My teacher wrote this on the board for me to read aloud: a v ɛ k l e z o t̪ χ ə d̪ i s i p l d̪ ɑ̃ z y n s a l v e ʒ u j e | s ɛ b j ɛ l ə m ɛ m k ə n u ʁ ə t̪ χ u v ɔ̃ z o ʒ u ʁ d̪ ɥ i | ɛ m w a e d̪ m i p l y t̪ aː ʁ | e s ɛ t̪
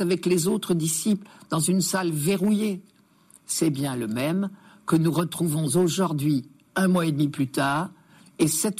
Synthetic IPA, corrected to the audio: a v ɛ k l e z o t̪ χ ə d̪ i s i p l d̪ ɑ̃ z y n s a l v e ʁ u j e | s ɛ b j ɛ̃ l ə m ɛ m k ə n u ʁ ə t̪ χ u v ɔ̃ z o ʒ u ʁ d̪ ɥ i | ɛ̃ m w a e d̪ m i p l y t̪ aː ʁ | e s ɛ t̪